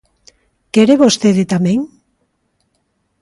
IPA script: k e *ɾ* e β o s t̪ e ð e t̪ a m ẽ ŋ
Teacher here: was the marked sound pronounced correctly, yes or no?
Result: yes